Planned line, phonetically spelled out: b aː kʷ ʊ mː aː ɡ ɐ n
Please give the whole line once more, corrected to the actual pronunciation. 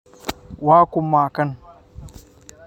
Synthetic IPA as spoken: w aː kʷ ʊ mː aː k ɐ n